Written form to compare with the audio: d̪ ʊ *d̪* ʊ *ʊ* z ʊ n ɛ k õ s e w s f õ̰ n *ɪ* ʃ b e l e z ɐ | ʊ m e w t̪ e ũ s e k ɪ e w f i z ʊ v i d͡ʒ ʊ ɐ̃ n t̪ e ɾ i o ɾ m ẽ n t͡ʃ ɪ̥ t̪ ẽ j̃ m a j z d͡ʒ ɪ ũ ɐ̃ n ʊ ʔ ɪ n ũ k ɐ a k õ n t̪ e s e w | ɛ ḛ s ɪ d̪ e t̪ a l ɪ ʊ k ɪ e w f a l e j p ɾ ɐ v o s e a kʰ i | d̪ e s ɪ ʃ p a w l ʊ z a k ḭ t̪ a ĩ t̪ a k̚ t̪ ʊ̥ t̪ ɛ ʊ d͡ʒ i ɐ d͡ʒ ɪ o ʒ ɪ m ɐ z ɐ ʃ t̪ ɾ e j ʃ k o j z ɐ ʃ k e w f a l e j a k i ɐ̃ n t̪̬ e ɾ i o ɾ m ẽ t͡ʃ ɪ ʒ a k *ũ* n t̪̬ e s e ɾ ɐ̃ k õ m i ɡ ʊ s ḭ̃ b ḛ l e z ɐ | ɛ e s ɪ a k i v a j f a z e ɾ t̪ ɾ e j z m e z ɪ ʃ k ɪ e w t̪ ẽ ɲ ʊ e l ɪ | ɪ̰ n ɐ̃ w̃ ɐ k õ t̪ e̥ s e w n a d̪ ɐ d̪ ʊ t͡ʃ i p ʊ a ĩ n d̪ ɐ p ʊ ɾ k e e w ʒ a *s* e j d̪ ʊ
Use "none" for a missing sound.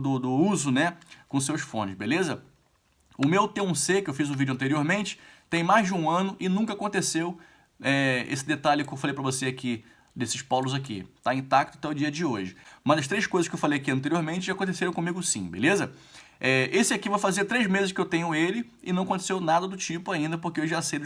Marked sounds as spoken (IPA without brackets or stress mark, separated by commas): d̪, u, ɪ, õ, s